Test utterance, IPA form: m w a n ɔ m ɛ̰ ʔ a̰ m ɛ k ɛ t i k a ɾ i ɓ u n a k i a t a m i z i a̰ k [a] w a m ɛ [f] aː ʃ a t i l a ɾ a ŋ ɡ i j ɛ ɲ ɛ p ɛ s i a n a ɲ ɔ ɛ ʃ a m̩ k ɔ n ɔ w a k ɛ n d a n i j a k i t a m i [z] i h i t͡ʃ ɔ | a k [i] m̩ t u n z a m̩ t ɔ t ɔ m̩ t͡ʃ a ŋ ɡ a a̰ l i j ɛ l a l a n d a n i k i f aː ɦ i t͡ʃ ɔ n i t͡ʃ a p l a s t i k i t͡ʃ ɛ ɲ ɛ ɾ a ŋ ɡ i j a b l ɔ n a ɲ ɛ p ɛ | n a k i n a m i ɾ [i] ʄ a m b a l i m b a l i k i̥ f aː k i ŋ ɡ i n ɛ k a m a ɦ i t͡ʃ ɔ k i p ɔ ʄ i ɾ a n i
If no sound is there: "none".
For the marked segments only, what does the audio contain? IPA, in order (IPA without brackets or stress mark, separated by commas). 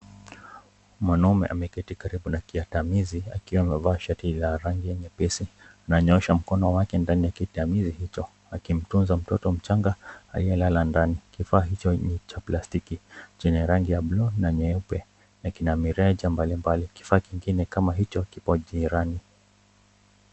i, v, z, i, ɛ